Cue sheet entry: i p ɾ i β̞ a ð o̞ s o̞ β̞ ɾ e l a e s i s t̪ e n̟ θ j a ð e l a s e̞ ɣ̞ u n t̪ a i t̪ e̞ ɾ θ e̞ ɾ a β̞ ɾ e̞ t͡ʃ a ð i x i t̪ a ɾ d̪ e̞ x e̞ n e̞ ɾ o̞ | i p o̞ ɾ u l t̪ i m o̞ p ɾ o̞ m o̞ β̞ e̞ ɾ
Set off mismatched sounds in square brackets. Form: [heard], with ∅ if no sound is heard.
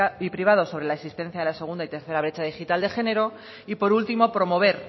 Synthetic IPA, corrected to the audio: i p ɾ i β̞ a ð o̞ s o̞ β̞ ɾ e l a e s i s t̪ e n̟ θ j a ð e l a s e̞ ɣ̞ u n [d̪] a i t̪ e̞ ɾ θ e̞ ɾ a β̞ ɾ e̞ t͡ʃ a ð i x i t̪ a [l] d̪ e̞ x e̞ n e̞ ɾ o̞ | i p o̞ ɾ u l t̪ i m o̞ p ɾ o̞ m o̞ β̞ e̞ ɾ